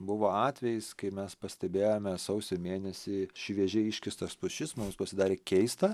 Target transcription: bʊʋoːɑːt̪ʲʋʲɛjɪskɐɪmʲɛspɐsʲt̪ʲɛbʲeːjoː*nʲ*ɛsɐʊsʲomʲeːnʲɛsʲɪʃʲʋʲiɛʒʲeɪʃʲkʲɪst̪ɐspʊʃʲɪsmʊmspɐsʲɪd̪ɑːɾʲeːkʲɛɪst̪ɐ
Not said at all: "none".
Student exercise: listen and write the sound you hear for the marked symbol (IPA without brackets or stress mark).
mʲ